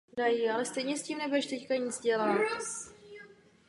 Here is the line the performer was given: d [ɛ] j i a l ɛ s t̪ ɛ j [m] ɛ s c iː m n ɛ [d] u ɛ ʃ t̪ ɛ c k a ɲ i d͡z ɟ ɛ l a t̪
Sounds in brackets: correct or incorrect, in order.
incorrect: a, incorrect: ɲ, incorrect: b

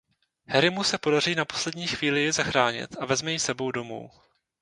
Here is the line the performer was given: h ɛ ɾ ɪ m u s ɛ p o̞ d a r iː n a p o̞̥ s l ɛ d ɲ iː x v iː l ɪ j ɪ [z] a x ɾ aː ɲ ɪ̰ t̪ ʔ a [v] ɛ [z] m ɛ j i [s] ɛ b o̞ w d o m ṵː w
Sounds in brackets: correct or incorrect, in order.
correct, correct, correct, correct

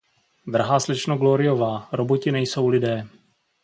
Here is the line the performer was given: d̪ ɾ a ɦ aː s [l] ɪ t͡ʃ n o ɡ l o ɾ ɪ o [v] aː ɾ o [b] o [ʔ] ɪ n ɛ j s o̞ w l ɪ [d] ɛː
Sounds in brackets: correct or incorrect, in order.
correct, correct, correct, incorrect: c, correct

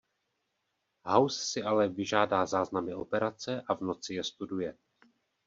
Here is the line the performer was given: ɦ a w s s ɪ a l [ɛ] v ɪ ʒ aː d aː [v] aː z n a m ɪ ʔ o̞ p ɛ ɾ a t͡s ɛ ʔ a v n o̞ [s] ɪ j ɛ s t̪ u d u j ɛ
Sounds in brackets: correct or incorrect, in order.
correct, incorrect: z, incorrect: t͡s

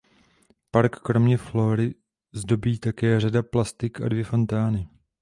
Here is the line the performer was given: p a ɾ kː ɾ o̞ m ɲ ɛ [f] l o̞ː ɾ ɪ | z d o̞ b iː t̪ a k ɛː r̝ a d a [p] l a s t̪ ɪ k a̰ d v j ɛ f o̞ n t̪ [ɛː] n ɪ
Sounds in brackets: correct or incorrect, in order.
correct, correct, incorrect: aː

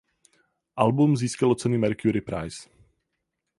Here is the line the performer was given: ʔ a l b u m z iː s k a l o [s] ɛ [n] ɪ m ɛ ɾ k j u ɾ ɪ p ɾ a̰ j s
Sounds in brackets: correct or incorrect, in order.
incorrect: t͡s, correct

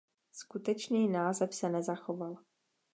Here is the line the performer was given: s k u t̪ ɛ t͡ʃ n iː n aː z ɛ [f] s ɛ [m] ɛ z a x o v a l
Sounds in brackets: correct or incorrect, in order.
correct, incorrect: n

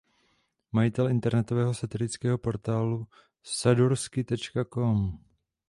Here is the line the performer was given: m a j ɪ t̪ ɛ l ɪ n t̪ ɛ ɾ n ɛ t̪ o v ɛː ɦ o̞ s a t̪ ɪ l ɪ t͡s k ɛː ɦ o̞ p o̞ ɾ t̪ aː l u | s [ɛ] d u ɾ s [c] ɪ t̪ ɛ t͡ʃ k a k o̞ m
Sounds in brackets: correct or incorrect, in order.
incorrect: a, incorrect: k

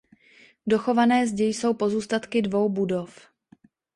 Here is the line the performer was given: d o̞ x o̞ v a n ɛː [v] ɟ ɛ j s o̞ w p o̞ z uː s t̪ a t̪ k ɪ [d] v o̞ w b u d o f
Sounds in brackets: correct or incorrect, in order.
incorrect: z, correct

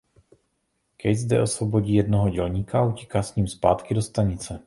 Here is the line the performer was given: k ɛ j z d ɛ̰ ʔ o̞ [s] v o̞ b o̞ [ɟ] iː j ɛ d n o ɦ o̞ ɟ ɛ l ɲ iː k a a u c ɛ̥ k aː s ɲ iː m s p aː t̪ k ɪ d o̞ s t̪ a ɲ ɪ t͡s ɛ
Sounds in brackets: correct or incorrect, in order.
correct, correct

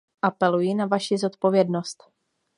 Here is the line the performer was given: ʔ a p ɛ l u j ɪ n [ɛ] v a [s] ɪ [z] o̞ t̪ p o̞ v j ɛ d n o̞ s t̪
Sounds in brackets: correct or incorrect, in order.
incorrect: a, incorrect: ʃ, correct

